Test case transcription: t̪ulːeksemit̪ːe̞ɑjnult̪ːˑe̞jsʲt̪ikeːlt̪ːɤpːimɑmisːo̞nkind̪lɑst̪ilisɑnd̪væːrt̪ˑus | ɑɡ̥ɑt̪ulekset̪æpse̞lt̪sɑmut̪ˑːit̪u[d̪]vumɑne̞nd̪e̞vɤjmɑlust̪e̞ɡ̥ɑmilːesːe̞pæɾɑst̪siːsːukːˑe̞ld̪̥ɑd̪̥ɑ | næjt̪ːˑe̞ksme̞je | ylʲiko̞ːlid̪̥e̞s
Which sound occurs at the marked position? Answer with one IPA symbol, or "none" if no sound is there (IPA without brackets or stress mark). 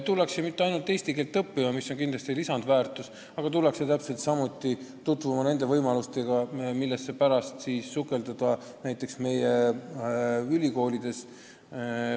t̪